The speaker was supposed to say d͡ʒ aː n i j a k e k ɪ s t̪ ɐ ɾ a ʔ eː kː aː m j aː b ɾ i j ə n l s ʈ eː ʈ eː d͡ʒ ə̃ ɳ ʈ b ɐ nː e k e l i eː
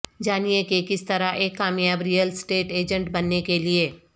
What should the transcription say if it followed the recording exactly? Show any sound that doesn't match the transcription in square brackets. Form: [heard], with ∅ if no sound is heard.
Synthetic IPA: d͡ʒ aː n i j [e] k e k ɪ s t̪ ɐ ɾ a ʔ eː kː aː m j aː b ɾ i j ə [∅] l s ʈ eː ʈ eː d͡ʒ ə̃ ɳ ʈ b ɐ nː e k e l i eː